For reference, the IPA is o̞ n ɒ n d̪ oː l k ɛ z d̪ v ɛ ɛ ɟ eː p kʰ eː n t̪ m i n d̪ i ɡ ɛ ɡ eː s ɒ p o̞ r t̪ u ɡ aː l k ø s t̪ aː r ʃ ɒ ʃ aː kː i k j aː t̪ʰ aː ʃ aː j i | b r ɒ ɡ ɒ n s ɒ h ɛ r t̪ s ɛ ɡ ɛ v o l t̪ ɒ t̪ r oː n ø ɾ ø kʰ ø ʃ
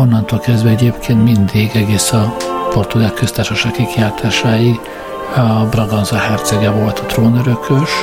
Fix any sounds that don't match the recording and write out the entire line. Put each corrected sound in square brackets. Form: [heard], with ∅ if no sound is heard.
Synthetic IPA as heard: o̞ [nː] ɒ n [t̪] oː l k ɛ z d̪ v ɛ ɛ ɟ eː p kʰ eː n t̪ m i n d̪ i ɡ ɛ ɡ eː s ɒ p o̞ r t̪ u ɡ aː l k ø s t̪ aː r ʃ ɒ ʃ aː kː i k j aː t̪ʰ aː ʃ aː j i | b r ɒ ɡ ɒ n [z] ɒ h ɛ r t̪ s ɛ ɡ ɛ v o l t̪ ɒ t̪ r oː n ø ɾ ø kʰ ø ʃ